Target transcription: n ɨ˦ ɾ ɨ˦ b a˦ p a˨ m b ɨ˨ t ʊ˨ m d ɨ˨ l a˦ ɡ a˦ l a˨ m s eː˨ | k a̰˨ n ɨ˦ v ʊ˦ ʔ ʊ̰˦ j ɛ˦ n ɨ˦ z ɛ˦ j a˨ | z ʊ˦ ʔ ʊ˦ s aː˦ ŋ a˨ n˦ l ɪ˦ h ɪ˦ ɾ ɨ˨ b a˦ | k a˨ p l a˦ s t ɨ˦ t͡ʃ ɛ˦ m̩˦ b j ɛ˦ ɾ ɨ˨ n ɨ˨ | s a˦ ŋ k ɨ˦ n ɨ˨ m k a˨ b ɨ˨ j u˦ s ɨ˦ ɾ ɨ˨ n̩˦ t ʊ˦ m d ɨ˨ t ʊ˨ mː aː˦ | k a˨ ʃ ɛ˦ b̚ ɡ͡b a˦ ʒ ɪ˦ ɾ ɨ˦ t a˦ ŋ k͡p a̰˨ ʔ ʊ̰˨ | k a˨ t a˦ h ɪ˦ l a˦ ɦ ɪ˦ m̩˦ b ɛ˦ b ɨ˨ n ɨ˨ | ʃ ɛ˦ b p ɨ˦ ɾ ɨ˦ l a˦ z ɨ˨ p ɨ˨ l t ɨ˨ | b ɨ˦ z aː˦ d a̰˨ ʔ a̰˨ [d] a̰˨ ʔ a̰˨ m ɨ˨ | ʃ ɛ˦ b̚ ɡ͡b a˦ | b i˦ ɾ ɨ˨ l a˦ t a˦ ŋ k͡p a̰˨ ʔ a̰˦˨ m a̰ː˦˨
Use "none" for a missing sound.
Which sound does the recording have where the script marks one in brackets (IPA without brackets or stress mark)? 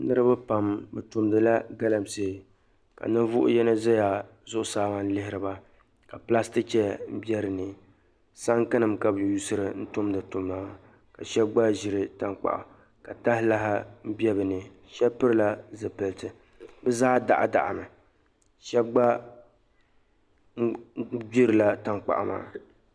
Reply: d